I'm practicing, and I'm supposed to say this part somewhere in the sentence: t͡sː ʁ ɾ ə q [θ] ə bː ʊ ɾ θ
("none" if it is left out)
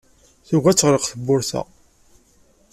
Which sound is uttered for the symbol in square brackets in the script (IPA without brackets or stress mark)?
θ